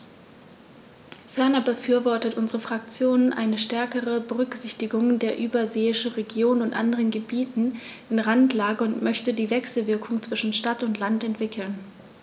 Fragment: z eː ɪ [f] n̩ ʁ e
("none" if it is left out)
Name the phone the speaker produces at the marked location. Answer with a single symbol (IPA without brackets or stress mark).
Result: ʃ